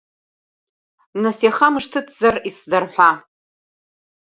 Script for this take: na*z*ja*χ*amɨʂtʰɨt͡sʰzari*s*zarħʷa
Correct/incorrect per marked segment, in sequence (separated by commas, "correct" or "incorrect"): incorrect, correct, correct